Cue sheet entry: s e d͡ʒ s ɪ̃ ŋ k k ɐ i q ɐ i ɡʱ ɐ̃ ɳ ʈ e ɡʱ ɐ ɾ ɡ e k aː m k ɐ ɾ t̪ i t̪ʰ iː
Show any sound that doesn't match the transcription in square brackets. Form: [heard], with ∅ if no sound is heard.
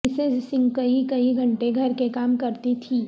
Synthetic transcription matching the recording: s e d͡ʒ s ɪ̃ ŋ [ɡ] k ɐ i [k] ɐ i ɡʱ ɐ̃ ɳ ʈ e ɡʱ ɐ ɾ [k] e k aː m k ɐ ɾ t̪ i t̪ʰ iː